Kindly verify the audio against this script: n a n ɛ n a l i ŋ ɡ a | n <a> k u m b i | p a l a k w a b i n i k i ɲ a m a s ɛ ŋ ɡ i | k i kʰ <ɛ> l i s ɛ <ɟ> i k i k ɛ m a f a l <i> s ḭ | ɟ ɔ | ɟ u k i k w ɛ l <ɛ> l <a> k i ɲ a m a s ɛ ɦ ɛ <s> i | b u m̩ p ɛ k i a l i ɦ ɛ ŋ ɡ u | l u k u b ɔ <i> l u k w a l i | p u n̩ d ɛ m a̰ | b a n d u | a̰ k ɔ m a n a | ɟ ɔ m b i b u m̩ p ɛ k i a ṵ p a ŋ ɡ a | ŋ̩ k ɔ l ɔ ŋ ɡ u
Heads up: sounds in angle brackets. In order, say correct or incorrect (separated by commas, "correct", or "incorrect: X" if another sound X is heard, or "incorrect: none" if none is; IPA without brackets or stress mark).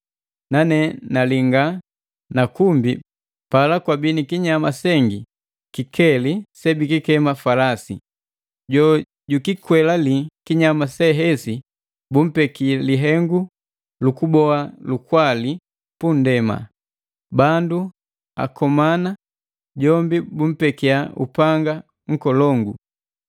correct, correct, incorrect: b, incorrect: a, incorrect: a, incorrect: i, correct, incorrect: a